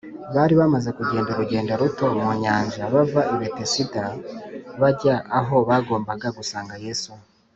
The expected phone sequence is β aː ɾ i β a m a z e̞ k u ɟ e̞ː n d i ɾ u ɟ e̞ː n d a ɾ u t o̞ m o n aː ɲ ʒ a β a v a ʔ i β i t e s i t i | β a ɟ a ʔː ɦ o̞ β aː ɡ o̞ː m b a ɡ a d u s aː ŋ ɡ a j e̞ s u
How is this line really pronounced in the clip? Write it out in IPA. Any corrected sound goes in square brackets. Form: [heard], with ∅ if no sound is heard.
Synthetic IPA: β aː ɾ i β a m a z e̞ k u ɟ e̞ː n d [a] ɾ u ɟ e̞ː n d a ɾ u t o̞ m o [ɲ] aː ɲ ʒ a β a v a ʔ i β [e] t e s i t [a] | β a ɟ a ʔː ɦ o̞ β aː ɡ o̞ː m b a ɡ a [ɡ] u s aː ŋ ɡ a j e̞ s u